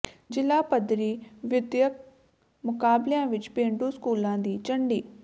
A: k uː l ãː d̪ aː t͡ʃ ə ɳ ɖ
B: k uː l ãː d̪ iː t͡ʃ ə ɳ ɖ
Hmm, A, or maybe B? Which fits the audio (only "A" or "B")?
B